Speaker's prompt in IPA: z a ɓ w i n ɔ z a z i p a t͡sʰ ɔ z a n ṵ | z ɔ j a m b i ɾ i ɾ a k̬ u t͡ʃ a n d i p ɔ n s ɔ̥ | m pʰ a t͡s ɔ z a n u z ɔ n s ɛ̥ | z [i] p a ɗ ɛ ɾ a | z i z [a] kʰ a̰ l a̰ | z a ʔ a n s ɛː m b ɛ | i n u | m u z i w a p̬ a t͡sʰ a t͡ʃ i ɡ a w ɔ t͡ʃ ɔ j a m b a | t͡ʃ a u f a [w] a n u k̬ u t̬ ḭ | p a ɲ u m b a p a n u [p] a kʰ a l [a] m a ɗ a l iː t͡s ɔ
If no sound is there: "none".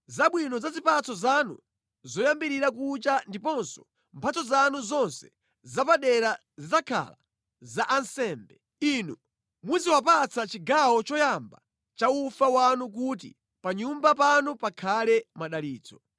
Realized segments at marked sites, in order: a, a, w, p, ɛ

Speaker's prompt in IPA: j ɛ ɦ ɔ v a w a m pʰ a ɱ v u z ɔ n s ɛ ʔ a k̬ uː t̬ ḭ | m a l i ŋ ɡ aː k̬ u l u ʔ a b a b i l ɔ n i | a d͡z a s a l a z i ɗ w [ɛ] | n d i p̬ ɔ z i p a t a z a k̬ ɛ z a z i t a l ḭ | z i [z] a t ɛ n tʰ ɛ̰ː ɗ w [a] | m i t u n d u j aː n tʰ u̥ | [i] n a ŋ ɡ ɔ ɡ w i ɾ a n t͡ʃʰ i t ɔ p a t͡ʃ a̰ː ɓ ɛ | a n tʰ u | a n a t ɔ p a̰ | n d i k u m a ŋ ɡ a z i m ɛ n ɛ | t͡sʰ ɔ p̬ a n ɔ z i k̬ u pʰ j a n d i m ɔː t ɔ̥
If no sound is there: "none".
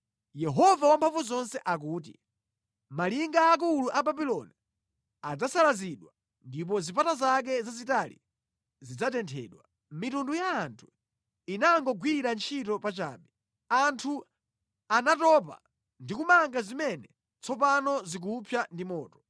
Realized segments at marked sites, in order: a, d͡z, a, i

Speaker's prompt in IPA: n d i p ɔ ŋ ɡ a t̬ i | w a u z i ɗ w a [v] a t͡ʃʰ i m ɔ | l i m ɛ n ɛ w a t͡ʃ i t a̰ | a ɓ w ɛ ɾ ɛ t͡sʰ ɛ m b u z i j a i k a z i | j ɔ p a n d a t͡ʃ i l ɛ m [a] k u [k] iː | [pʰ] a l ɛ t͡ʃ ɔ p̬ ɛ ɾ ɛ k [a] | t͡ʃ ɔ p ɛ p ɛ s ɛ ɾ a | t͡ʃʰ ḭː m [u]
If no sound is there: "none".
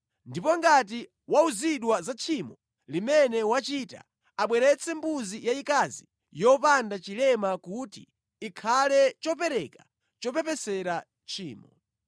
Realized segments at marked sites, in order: z, a, t, kʰ, a, ɔ

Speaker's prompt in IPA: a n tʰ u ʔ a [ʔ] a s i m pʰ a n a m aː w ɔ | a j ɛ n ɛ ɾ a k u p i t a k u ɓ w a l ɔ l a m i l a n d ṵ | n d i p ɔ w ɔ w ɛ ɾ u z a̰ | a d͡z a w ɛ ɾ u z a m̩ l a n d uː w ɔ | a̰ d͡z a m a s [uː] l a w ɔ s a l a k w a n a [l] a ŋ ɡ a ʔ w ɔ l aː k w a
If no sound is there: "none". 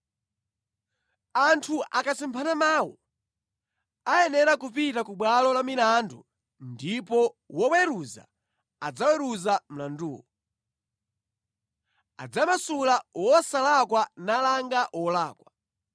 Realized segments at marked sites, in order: k, u, l

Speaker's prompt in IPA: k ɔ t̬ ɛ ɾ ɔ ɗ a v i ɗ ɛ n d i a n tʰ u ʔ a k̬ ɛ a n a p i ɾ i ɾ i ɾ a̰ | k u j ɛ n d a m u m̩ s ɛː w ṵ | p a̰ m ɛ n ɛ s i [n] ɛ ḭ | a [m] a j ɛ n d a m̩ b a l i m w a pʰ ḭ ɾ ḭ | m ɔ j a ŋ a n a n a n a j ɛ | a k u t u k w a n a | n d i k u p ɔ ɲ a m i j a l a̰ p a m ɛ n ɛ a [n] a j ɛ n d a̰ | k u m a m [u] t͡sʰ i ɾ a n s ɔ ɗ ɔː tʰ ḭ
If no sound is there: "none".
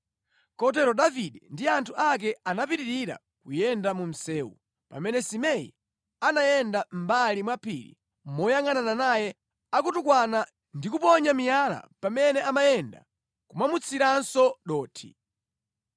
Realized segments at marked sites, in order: m, n, m, u

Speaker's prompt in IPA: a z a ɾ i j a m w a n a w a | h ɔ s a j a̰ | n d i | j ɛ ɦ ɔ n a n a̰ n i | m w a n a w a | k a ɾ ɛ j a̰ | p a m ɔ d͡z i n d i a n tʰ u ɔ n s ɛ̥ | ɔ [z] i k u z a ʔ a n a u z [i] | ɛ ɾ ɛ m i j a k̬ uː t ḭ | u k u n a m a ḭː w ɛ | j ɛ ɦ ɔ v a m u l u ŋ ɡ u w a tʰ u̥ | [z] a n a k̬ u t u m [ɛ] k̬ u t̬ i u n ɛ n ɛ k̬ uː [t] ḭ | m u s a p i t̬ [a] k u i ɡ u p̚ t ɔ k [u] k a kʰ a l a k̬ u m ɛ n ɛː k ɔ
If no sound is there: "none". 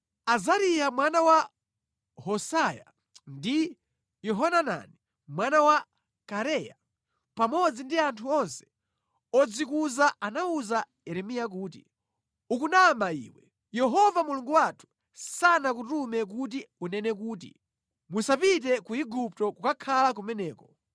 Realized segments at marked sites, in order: d͡z, a, s, ɛ, t, ɛ, u

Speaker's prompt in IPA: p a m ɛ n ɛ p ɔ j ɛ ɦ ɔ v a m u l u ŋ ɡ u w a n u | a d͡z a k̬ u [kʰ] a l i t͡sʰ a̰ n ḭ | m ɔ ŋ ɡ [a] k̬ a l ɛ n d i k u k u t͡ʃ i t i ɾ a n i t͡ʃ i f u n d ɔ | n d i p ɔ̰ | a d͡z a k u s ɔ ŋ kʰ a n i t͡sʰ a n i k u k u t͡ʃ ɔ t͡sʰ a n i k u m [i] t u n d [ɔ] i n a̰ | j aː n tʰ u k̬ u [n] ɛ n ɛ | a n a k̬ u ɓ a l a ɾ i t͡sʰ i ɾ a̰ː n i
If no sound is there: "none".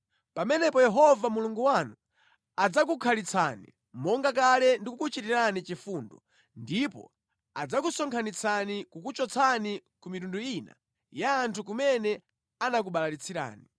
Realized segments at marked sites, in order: kʰ, a, i, u, m

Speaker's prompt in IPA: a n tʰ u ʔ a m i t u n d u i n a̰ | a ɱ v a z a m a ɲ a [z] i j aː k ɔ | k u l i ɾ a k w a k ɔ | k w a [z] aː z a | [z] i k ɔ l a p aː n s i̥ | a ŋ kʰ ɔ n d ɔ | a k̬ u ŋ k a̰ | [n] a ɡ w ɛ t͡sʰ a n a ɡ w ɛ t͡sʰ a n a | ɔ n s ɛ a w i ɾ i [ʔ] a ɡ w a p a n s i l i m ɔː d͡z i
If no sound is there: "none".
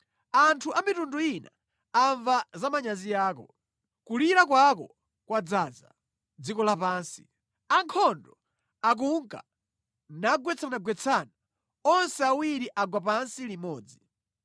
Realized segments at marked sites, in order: z, d͡z, d͡z, n, ʔ

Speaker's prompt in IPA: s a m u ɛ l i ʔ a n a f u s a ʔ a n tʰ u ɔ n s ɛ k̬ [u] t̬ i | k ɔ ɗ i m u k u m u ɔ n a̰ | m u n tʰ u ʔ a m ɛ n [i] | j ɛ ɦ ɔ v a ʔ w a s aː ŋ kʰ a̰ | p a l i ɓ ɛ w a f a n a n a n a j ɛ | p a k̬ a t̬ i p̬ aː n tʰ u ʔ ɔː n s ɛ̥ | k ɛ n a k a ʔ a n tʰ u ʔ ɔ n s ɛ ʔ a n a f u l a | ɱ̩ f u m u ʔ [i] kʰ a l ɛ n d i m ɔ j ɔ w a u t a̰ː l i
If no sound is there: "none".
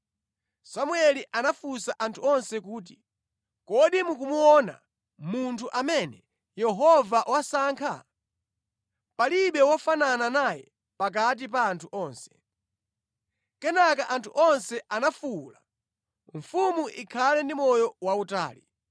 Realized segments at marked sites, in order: uː, ɛ, i

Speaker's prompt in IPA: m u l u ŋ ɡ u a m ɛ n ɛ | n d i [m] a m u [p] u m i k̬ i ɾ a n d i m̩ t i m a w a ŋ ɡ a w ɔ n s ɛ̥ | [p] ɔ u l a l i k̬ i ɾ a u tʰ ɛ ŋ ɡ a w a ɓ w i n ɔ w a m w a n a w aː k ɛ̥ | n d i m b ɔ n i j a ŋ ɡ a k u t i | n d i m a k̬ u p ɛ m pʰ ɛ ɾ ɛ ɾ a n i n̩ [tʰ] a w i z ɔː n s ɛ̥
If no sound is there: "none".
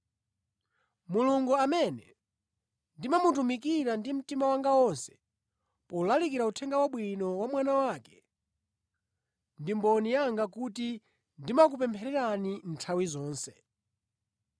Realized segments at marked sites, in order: m, t, p, tʰ

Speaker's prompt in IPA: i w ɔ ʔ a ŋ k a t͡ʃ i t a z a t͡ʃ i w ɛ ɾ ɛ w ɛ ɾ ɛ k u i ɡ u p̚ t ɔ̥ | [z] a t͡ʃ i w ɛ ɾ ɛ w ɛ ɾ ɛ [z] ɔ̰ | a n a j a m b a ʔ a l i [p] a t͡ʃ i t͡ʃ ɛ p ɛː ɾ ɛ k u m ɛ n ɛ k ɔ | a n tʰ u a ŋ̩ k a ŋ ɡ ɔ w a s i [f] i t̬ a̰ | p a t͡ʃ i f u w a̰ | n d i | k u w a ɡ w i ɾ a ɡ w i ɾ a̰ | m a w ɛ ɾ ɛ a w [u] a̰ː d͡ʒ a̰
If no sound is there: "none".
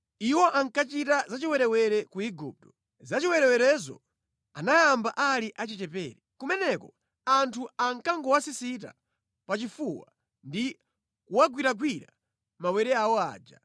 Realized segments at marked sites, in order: z, z, ʔ, s, ɔ

